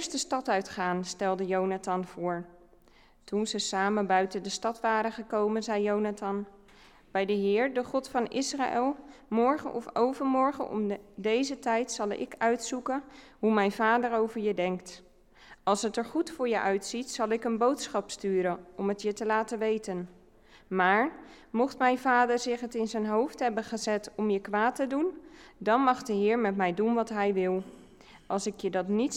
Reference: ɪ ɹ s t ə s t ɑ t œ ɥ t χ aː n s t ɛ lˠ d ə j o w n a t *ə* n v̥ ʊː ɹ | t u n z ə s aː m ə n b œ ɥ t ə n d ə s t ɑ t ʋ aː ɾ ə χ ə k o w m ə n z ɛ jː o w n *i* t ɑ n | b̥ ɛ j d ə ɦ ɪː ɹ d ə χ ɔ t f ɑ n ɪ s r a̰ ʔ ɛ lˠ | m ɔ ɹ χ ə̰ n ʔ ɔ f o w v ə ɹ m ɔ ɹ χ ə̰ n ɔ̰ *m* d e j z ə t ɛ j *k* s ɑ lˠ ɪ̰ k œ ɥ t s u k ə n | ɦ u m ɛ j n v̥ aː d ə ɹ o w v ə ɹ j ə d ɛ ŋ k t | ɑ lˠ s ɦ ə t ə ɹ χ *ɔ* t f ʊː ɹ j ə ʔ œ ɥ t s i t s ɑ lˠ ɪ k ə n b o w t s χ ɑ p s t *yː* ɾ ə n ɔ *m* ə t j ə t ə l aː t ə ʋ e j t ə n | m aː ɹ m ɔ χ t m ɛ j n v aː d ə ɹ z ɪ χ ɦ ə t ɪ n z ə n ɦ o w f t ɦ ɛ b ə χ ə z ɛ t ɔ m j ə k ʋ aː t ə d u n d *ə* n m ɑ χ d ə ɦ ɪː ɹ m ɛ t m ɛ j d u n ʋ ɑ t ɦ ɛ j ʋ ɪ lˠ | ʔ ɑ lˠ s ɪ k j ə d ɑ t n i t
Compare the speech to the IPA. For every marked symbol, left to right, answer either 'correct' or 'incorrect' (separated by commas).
incorrect, incorrect, correct, incorrect, incorrect, correct, correct, incorrect